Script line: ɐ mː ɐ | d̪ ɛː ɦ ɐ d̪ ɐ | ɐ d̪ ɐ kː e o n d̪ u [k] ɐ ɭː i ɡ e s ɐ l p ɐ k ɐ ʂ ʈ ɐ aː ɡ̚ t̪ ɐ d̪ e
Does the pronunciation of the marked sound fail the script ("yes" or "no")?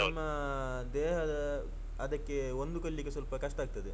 no